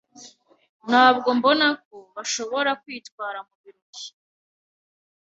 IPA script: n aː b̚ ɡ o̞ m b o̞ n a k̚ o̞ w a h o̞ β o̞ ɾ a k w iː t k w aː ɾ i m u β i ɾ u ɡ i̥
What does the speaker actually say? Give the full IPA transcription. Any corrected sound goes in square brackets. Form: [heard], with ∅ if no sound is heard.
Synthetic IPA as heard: n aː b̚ ɡ o̞ m b o̞ n a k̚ o̞ [β] a [ʃ] o̞ β o̞ ɾ a k w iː t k w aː ɾ [a] m u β i ɾ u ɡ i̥